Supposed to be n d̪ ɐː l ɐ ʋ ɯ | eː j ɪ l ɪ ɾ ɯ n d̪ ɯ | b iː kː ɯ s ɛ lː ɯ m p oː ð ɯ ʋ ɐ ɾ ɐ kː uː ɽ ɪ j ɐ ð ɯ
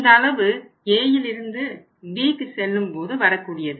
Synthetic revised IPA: n d̪ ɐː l ɐ ʋ ɯ | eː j ɪ l ɪ ɾ ɯ n d̪ ɯ | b iː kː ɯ s ɛ lː ɯ m p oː ð ɯ ʋ ɐ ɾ ɐ kː uː ɽ ɪ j ɐ ð ɯ